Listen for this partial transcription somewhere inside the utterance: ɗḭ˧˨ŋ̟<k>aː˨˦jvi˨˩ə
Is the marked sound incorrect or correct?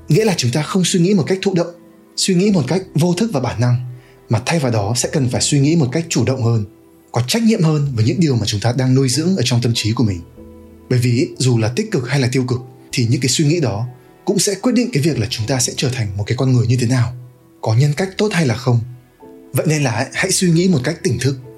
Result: correct